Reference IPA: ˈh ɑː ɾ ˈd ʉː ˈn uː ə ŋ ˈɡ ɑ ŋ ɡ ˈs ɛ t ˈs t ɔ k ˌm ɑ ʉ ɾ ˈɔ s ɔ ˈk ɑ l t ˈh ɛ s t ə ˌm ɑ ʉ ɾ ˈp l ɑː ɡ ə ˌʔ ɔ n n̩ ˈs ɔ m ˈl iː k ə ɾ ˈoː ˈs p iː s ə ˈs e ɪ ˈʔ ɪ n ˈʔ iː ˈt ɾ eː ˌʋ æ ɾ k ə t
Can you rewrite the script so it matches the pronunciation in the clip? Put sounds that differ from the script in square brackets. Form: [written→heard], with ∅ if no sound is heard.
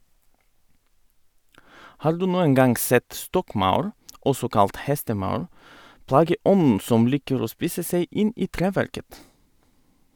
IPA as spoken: ˈh ɑː ɾ ˈd ʉː ˈn uː ə ŋ ˈɡ ɑ ŋ ɡ ˈs ɛ t ˈs t ɔ k ˌm ɑ ʉ ɾ ˈɔ s ɔ ˈk ɑ l t ˈh ɛ s t ə ˌm ɑ ʉ ɾ ˈp l ɑː ɡ ə ˌʔ ɔ n n̩ ˈs ɔ m ˈl iː k ə ɾ ˈoː ˈs p iː s ə ˈs e ɪ ˈʔ ɪ n ˈʔ iː ˈt ɾ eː ˌʋ æ ɾ k ə t